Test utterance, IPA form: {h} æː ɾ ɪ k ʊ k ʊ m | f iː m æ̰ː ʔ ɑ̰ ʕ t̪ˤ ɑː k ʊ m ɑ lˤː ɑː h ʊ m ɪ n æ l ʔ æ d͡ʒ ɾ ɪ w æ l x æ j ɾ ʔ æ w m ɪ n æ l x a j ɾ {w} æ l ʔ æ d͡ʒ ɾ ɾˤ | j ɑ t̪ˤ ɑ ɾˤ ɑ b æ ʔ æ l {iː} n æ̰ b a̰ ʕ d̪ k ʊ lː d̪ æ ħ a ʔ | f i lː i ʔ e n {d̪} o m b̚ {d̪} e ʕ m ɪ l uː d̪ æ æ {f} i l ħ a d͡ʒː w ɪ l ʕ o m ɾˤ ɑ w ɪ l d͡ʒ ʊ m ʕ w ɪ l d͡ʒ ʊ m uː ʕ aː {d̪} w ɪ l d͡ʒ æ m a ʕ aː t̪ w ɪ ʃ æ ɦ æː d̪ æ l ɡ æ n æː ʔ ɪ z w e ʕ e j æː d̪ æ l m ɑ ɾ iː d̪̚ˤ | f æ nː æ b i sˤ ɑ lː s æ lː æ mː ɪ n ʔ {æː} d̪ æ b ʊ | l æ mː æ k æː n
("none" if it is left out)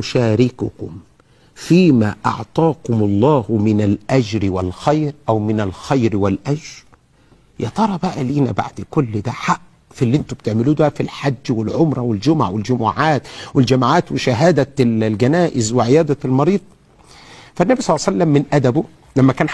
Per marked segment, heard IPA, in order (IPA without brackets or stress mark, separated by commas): ʃ, w, iː, t̪, t̪, f, t̪, æ